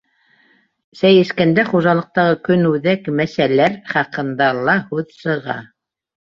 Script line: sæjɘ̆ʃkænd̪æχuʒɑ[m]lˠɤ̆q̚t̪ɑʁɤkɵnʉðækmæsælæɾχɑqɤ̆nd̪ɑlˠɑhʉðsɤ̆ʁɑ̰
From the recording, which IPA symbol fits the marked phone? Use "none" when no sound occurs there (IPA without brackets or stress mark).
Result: none